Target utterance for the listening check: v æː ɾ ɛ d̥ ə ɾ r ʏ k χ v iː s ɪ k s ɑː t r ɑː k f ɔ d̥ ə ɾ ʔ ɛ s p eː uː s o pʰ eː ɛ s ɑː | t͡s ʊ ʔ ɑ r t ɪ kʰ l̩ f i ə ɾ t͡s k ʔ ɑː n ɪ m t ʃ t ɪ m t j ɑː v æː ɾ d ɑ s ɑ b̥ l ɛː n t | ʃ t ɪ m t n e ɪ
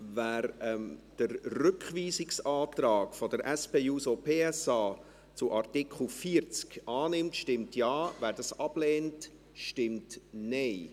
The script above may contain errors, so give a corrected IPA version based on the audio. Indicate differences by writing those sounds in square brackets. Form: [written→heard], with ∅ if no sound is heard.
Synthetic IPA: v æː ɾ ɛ d̥ ə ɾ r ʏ k χ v iː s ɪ k s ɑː t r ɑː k f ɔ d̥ ə ɾ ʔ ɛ s p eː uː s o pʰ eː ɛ s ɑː | t͡s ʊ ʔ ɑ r t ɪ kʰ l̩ f i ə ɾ t͡s k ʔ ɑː n ɪ m t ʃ t ɪ m t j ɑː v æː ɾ d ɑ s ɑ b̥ l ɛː n t | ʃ t ɪ m t n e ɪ